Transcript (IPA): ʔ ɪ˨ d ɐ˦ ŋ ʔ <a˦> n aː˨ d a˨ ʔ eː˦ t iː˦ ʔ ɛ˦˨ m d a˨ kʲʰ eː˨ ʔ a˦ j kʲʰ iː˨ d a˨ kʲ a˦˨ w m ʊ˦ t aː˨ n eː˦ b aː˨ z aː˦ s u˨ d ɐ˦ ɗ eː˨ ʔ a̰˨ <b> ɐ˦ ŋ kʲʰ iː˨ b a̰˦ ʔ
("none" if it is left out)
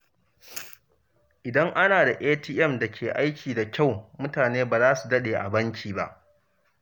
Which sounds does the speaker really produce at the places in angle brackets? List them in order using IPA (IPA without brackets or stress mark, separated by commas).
a˦, b